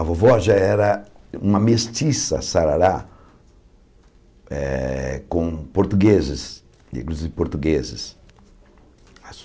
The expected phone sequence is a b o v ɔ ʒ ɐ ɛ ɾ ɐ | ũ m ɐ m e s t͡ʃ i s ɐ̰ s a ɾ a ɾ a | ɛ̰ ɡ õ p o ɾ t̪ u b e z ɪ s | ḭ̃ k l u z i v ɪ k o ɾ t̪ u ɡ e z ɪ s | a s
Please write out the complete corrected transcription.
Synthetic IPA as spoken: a v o v ɔ ʒ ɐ ɛ ɾ ɐ | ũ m ɐ m e s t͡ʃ i s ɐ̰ s a ɾ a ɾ a | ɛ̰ k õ p o ɾ t̪ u ɡ e z ɪ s | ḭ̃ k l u z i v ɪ p o ɾ t̪ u ɡ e z ɪ s | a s